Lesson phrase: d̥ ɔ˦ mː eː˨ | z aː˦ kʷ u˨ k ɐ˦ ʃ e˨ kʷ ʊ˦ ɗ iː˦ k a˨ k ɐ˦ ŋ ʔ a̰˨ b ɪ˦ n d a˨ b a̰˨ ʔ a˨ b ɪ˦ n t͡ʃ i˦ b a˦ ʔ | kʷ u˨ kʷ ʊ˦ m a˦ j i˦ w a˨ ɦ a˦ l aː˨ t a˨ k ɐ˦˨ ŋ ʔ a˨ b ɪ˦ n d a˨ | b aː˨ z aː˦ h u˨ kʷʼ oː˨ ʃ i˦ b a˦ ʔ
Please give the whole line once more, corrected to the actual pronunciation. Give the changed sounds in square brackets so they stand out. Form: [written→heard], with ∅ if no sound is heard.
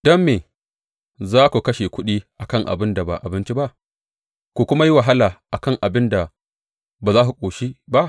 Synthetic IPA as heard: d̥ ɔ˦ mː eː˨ | z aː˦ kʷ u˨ k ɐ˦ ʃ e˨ kʷ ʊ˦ ɗ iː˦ [k→ʔ] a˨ k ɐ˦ ŋ ʔ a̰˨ b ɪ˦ n d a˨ b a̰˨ ʔ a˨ b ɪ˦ n t͡ʃ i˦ b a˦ ʔ | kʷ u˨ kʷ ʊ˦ m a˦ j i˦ w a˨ ɦ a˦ l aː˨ [t→ʔ] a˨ k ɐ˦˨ ŋ ʔ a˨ b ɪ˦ n d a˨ | b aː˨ z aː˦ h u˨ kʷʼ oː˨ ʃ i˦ b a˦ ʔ